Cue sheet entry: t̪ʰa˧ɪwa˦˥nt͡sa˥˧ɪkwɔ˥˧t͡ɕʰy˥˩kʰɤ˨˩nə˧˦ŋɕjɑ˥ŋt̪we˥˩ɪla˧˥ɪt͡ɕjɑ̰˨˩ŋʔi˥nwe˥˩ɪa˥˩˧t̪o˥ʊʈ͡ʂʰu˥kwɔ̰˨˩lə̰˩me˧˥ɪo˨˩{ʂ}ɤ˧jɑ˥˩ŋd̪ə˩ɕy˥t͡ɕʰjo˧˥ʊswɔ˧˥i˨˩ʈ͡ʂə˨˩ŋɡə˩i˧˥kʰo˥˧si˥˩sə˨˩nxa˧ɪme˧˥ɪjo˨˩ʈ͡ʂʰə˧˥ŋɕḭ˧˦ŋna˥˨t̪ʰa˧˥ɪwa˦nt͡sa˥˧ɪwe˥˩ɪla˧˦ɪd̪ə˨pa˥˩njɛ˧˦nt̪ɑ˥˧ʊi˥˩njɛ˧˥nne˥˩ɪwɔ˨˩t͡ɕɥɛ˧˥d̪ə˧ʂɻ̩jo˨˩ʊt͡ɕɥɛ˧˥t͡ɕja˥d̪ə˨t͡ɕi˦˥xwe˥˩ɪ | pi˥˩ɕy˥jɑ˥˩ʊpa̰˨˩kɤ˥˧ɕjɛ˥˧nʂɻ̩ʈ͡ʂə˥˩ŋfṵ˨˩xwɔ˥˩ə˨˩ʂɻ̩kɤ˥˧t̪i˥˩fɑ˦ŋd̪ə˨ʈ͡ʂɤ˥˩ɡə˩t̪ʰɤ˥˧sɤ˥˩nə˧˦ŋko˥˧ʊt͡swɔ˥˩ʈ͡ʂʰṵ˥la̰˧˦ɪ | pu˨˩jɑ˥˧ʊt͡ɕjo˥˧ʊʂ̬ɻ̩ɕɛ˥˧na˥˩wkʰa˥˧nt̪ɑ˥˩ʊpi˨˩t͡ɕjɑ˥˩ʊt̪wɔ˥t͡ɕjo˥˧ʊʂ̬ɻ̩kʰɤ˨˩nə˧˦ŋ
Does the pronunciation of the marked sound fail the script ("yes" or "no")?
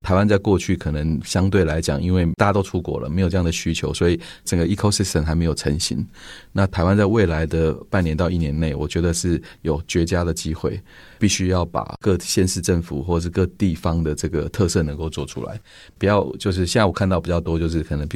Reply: yes